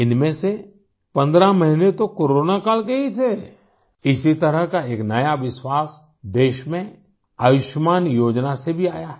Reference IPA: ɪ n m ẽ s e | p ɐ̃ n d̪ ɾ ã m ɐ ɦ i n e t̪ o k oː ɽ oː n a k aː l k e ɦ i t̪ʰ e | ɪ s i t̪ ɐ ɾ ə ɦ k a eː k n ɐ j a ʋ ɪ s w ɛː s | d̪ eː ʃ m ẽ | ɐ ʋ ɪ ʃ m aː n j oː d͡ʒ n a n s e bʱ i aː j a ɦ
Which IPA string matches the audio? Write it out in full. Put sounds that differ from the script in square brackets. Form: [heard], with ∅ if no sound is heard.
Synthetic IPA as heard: ɪ n m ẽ s e | p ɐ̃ n d̪ ɾ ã m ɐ ɦ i n e t̪ o k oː [ɾ] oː n a k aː l k e ɦ i t̪ʰ e | ɪ s i t̪ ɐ ɾ ə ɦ k a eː k n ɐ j a ʋ ɪ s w [aː] s | d̪ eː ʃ m ẽ | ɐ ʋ ɪ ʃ m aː n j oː d͡ʒ n a [∅] s e bʱ i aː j a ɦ

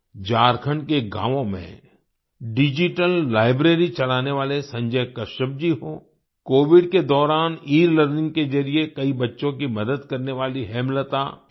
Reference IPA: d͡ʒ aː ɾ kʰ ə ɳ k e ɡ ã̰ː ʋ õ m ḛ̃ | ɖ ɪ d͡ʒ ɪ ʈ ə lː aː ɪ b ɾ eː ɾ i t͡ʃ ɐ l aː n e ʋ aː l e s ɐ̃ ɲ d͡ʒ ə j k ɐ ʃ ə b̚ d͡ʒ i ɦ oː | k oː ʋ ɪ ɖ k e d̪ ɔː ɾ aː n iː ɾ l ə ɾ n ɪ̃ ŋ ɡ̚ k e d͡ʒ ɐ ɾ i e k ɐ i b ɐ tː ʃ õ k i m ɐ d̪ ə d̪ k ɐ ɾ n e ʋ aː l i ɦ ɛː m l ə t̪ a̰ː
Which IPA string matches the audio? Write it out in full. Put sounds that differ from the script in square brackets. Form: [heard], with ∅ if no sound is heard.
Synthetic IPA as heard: d͡ʒ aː ɾ kʰ ə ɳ k e ɡ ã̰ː ʋ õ m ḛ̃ | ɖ ɪ d͡ʒ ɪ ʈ ə lː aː ɪ b ɾ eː ɾ i t͡ʃ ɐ l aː n e ʋ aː l e s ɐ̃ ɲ d͡ʒ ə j k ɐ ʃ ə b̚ d͡ʒ i ɦ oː | k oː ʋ ɪ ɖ k e d̪ ɔː ɾ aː n iː ɾ l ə ɾ n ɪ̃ ŋ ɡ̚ k e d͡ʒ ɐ ɾ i e k ɐ i b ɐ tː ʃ õ k i m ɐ d̪ ə d̪ k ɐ ɾ n e ʋ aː l i ɦ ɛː m l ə t̪ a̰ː

